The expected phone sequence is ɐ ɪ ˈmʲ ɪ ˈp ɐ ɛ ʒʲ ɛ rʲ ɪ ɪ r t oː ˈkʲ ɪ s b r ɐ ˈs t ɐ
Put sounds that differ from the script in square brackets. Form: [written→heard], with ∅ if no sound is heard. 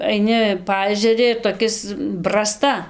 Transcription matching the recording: ɐ ɪ [ˈmʲ→ˈnʲ] ɪ ˈp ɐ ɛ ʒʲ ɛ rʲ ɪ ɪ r t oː ˈkʲ ɪ s b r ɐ ˈs t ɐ